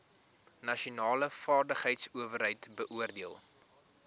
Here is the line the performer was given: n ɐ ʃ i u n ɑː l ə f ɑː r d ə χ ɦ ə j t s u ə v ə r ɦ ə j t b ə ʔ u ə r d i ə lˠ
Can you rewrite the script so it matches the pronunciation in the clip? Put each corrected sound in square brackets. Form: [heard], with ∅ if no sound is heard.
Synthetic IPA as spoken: n ɐ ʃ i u n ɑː l ə f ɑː r d ə χ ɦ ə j t s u ə v ə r ɦ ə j t b ə ʔ u ə r d i ə lˠ